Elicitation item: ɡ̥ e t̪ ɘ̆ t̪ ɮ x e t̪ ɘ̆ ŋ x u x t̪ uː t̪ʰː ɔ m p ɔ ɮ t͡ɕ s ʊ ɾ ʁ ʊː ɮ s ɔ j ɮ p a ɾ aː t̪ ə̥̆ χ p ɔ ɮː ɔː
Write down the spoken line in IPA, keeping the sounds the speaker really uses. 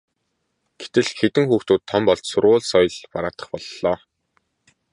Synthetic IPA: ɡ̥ e t̪ ɘ̆ ɮ x e t̪ ɘ̆ ŋ x uː x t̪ uː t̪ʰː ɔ m p ɔ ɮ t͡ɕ s ʊ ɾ ʁ ʊː ɮ s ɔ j ɮ p a ɾ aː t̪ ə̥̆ χ p ɔ ɮː ɔː